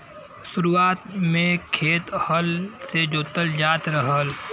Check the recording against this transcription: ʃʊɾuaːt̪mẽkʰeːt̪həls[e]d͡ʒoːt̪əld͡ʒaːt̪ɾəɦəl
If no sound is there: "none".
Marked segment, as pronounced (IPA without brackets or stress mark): e